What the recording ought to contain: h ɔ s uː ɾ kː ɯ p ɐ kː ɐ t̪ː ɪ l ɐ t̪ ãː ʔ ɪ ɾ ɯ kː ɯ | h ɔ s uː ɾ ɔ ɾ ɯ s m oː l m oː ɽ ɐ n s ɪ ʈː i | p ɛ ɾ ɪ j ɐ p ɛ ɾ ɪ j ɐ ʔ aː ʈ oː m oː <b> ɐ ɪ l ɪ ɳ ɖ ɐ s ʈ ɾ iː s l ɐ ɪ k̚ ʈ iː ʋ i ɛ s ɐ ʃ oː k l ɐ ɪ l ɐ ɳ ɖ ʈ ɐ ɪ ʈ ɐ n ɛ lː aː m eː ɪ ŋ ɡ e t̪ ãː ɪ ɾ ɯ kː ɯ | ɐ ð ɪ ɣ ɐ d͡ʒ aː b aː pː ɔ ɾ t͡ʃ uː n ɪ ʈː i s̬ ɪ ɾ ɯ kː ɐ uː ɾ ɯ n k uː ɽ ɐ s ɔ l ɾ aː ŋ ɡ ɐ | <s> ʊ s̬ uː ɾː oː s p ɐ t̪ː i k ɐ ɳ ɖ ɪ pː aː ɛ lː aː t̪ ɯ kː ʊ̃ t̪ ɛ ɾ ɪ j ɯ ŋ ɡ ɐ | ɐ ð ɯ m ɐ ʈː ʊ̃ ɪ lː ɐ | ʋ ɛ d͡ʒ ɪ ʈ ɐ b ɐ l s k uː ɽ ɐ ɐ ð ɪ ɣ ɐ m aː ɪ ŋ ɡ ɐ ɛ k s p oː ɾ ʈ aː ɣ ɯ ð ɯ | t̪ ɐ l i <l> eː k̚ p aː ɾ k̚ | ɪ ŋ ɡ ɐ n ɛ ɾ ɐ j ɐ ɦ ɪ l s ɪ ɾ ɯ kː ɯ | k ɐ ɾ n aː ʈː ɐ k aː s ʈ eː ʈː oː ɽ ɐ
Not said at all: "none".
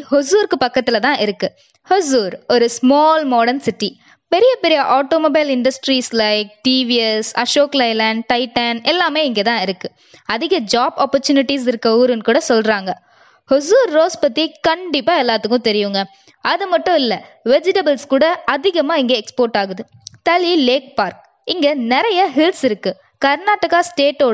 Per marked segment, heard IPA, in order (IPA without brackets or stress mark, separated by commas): b, h, l